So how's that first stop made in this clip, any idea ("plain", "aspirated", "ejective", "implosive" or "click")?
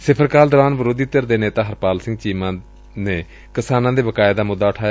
aspirated